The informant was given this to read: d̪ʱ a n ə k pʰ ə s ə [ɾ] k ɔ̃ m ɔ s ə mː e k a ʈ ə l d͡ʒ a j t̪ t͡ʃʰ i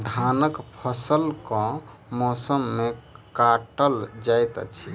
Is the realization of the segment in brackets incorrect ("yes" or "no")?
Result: yes